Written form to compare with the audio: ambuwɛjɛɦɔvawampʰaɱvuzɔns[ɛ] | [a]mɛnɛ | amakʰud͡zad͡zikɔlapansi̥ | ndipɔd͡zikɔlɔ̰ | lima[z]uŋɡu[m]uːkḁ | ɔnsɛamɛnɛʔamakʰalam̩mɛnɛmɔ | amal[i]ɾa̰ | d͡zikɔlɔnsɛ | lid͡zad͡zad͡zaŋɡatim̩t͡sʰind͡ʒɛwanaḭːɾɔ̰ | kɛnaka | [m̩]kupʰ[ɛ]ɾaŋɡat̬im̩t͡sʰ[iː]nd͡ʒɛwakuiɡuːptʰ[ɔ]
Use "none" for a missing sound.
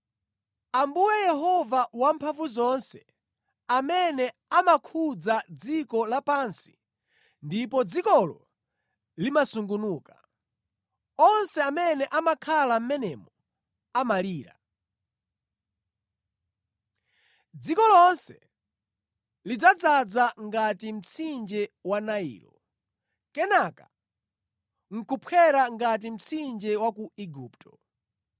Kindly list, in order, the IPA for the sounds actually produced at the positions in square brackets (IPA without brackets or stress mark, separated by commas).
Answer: ɛ, a, s, n, iː, ŋ̩, ɛ, i, ɔ